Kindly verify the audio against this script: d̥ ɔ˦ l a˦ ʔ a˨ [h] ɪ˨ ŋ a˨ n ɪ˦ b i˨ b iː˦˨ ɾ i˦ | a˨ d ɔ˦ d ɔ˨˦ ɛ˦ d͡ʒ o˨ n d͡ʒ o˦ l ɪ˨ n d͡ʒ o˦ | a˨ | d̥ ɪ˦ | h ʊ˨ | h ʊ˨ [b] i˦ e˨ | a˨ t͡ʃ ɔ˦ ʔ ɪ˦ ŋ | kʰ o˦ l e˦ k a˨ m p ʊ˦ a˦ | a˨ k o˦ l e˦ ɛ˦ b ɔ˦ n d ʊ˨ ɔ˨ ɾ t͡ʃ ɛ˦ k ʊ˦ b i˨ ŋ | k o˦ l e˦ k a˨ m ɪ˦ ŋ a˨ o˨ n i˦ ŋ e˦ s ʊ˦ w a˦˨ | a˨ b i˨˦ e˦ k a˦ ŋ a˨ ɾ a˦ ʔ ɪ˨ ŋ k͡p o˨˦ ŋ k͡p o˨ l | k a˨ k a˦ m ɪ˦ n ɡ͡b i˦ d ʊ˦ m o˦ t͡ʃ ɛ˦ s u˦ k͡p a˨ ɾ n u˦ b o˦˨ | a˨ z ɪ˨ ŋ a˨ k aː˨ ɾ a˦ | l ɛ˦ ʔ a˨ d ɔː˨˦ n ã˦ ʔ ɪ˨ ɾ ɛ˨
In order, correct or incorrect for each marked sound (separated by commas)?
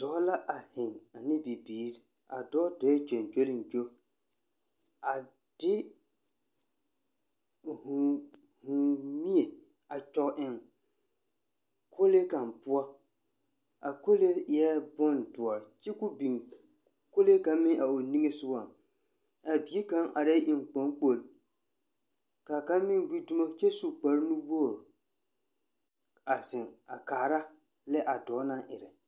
correct, incorrect